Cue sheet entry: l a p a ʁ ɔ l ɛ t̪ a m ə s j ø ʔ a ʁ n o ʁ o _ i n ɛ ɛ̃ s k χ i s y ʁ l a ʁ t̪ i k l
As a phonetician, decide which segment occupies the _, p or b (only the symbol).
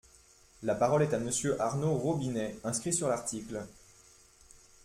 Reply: b